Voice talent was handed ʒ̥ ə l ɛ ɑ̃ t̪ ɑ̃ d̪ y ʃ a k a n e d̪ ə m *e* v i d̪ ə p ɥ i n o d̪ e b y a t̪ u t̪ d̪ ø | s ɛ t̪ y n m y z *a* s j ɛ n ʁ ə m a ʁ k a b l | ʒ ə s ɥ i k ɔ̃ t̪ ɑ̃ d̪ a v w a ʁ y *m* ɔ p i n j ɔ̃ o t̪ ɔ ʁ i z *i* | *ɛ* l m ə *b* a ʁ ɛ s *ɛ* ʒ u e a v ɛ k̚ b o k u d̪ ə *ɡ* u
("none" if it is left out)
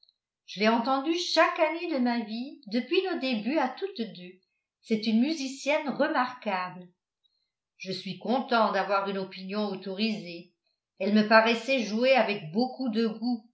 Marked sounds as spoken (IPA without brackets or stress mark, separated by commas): a, i, n, e, ɛ, p, ɛ, ɡ